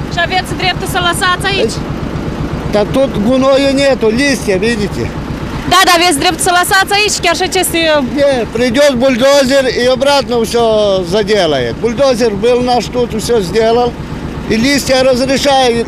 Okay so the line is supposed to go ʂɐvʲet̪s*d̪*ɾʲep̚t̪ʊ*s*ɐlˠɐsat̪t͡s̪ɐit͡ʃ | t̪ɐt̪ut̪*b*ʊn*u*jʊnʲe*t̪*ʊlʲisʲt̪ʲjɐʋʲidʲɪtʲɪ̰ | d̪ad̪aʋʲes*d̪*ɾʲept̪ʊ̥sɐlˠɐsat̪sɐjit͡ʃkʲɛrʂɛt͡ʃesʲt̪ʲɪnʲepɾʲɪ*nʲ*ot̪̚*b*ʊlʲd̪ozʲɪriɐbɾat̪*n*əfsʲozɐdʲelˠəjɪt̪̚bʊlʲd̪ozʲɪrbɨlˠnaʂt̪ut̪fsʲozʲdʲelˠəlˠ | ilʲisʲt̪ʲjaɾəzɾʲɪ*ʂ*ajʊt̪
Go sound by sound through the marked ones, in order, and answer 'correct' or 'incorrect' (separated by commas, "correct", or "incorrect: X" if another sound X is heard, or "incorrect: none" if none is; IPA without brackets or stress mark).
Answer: correct, correct, incorrect: ɡ, incorrect: o, correct, correct, incorrect: dʲ, correct, correct, correct